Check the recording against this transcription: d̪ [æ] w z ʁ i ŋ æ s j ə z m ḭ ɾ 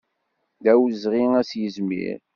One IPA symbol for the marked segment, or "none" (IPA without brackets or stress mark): æ